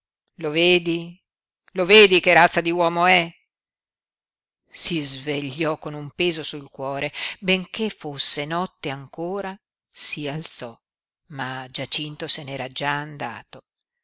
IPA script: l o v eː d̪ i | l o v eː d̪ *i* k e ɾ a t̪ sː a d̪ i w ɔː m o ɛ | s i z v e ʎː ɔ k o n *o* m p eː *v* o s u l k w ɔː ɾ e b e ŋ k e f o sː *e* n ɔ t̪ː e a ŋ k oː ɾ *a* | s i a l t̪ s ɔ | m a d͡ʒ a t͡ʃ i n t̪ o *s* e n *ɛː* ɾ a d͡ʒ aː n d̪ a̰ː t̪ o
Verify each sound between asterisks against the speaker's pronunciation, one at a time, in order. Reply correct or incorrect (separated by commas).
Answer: correct, incorrect, incorrect, correct, correct, correct, correct